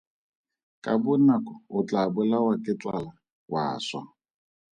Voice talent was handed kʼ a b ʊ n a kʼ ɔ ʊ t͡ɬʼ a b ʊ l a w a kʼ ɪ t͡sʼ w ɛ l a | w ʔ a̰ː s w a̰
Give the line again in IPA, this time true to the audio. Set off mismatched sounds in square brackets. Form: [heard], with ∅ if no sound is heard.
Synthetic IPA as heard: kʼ a b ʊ n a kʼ ɔ ʊ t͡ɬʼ a b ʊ l a w a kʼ ɪ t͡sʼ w [a] l a | w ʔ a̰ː s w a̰